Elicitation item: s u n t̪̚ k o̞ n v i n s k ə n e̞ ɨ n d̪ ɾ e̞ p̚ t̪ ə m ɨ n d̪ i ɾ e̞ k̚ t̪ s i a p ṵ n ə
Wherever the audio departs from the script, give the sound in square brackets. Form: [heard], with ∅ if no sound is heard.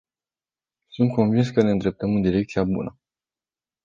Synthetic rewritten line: s u n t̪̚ k o̞ n v i n s k ə n e̞ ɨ n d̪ ɾ e̞ p̚ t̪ ə m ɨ n d̪ i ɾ e̞ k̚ t̪ s i a [b] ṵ n ə